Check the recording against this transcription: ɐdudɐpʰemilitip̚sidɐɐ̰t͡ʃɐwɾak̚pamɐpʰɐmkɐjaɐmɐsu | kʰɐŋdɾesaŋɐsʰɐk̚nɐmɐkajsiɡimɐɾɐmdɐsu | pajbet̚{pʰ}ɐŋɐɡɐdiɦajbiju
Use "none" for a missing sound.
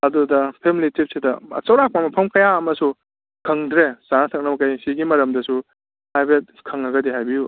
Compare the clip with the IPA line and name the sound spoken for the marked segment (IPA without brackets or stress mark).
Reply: kʰ